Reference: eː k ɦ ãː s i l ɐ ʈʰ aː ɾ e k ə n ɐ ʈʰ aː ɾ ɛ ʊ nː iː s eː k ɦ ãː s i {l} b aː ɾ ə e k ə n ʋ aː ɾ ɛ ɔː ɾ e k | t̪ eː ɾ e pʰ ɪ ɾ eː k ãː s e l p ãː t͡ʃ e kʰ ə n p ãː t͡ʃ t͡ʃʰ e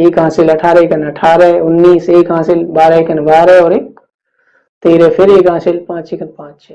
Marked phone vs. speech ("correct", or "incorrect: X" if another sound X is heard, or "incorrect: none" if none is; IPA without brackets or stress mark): correct